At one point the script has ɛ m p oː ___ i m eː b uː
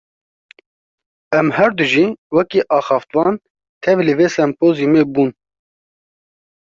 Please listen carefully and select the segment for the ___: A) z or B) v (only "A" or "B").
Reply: A